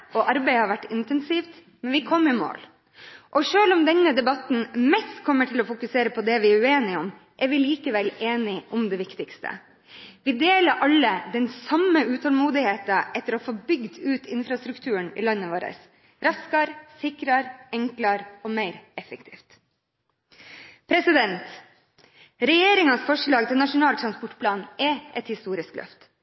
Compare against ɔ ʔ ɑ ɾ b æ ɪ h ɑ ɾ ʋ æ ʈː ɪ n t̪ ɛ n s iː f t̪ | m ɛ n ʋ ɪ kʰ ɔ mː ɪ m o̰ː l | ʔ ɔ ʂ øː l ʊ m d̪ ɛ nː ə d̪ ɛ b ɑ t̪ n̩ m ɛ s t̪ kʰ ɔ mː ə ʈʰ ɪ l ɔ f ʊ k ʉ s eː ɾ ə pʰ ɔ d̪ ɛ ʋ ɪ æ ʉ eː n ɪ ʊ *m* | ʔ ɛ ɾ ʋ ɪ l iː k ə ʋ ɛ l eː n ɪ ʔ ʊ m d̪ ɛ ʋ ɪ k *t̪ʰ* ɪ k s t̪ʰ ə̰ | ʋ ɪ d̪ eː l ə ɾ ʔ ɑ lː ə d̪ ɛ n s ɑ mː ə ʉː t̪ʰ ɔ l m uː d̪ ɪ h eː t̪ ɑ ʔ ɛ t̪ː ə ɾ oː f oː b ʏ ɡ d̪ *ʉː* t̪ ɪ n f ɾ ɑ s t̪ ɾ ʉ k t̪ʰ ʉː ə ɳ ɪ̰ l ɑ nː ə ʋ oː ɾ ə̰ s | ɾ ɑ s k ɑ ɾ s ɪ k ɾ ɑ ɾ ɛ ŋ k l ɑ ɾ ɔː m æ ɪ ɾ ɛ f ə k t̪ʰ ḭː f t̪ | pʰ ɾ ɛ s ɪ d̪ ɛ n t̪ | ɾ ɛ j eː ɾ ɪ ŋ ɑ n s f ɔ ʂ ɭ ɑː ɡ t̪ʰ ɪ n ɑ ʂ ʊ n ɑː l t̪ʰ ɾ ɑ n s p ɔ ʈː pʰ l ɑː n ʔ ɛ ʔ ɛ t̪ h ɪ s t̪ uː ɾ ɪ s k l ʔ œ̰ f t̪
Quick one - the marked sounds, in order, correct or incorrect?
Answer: correct, incorrect, correct

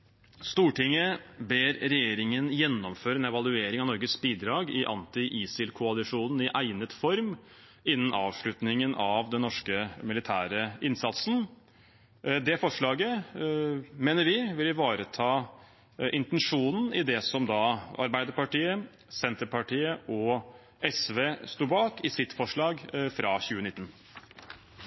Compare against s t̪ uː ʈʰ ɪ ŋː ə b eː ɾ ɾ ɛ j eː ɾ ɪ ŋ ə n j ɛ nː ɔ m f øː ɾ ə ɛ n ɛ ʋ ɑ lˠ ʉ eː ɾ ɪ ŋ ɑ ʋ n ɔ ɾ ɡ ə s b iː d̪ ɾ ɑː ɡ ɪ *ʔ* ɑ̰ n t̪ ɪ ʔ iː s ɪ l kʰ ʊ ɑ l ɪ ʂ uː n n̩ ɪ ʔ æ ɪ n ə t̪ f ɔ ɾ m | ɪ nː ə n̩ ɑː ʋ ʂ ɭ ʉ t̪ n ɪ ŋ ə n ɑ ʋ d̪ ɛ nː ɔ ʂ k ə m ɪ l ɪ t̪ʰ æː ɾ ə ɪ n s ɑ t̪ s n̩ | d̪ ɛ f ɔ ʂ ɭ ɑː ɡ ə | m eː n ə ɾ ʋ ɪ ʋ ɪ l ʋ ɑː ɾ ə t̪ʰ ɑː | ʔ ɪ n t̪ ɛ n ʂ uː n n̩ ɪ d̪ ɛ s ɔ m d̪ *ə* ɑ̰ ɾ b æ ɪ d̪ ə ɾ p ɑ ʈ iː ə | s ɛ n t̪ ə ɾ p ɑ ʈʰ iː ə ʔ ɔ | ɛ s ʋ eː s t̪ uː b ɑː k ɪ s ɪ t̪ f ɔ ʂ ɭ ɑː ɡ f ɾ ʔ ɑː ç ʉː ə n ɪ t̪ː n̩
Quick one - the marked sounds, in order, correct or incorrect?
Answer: correct, incorrect

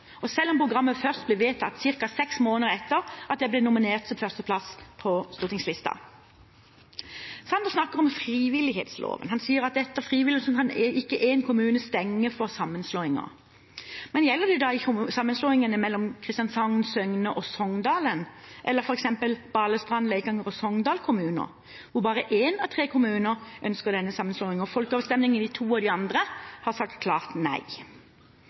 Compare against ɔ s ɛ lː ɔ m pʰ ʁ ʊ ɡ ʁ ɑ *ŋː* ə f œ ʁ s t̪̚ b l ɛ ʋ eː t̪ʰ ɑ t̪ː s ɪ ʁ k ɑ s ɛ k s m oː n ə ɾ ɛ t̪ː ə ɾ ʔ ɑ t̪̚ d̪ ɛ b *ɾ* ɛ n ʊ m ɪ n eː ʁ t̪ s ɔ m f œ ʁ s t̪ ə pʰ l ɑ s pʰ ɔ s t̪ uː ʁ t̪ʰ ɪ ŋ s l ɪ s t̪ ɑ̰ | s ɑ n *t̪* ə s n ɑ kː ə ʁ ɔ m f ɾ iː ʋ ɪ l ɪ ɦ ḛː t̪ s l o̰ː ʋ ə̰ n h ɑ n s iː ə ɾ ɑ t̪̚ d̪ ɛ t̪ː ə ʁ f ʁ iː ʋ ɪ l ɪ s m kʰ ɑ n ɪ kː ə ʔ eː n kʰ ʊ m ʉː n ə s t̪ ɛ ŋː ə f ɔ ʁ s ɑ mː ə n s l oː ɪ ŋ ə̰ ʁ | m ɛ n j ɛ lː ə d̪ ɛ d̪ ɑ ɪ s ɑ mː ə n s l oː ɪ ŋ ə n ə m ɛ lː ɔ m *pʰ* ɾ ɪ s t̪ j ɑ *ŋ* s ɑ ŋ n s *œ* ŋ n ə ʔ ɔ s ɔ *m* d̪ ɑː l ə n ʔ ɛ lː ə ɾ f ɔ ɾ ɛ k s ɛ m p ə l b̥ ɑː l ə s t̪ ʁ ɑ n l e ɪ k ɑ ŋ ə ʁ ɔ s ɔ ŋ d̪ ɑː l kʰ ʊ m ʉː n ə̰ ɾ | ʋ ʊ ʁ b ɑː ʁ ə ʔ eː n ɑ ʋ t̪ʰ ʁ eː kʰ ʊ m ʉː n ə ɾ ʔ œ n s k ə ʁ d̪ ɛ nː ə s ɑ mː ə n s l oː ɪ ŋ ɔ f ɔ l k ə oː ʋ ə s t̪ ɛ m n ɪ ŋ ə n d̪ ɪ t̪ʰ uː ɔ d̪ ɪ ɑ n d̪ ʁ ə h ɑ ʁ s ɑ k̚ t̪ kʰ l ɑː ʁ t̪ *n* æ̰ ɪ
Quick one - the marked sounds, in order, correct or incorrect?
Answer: incorrect, incorrect, incorrect, incorrect, incorrect, correct, incorrect, correct

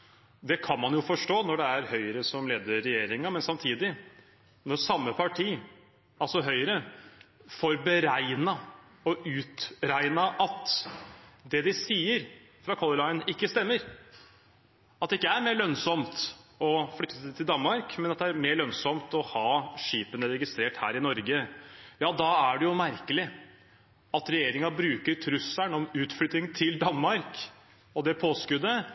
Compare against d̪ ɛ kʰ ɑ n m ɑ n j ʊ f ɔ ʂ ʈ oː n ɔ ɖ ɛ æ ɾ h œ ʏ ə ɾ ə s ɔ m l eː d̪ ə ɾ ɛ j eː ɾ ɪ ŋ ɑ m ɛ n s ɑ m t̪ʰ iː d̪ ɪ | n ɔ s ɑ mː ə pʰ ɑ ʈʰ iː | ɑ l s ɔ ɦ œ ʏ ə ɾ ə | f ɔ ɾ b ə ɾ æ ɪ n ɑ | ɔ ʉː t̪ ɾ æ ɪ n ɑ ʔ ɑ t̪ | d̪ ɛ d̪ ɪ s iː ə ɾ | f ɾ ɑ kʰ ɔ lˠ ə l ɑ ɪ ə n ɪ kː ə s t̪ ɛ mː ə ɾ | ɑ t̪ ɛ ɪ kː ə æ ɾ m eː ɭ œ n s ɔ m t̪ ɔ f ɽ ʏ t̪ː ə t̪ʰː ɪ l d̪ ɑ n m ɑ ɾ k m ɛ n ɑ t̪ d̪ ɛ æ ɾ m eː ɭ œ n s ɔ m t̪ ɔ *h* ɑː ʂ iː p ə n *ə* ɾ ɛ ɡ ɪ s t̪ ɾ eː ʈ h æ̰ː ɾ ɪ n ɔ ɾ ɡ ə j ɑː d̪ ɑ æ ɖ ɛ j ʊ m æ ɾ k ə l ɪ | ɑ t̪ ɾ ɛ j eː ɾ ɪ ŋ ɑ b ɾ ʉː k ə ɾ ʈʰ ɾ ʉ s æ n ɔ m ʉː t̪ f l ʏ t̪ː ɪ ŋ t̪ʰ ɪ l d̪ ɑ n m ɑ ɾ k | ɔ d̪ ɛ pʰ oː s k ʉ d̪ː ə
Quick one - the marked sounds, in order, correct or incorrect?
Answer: correct, correct

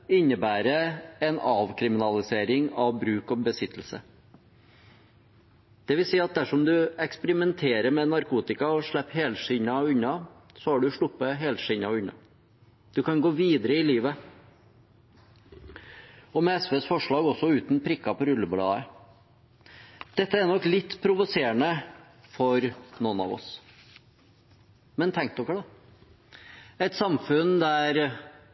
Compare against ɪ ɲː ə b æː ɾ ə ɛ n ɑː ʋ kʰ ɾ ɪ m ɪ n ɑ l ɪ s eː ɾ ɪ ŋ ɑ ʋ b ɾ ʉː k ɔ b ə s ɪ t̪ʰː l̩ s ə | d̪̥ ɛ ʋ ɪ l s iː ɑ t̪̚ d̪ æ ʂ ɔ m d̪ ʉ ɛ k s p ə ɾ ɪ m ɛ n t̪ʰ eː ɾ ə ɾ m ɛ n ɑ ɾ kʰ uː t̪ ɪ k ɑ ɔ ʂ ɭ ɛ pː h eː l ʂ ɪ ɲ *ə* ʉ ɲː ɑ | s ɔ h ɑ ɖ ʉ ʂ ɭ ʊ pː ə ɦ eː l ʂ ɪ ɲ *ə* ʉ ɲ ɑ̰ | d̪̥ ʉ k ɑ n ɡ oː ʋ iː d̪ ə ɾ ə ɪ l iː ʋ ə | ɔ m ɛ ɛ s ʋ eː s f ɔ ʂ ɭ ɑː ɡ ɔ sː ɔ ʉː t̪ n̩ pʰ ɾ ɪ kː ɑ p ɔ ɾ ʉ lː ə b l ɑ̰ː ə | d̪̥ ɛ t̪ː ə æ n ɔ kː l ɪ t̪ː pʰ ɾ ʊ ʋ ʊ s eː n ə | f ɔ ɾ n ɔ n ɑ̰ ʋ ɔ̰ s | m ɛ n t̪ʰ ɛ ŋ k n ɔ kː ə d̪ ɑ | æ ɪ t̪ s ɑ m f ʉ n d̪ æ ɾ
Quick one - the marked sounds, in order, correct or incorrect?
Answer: incorrect, incorrect

